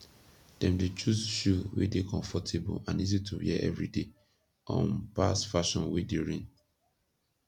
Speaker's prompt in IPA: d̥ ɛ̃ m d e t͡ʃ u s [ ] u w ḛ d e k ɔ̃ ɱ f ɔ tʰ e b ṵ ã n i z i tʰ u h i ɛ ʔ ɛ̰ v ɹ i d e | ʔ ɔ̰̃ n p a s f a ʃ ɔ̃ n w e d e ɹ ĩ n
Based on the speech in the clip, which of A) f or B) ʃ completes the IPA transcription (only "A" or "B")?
B